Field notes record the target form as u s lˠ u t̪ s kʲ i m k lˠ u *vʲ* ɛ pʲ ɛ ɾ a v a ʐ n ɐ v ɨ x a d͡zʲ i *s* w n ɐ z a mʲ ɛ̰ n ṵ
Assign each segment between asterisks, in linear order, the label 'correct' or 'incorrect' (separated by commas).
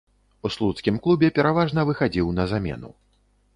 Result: incorrect, incorrect